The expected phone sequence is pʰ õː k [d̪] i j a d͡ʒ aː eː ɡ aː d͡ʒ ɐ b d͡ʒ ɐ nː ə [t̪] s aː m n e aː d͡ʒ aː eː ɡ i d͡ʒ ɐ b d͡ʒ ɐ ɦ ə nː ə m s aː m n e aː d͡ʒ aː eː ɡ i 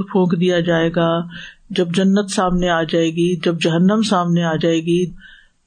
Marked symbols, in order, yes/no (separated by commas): yes, yes